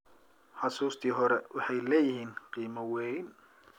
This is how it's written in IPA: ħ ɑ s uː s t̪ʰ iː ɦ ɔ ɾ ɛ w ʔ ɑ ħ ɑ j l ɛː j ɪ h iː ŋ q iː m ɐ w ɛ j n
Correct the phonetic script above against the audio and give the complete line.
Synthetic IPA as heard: ħ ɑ s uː s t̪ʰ iː ɦ ɔ ɾ ɛ w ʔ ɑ ħ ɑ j l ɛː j ɪ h iː n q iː m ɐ w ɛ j n